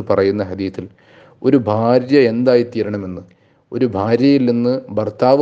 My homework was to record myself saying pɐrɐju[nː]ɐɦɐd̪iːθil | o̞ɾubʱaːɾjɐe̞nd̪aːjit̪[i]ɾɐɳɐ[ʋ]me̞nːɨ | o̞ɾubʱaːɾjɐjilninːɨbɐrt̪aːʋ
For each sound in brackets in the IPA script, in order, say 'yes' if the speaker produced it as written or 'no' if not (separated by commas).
yes, no, no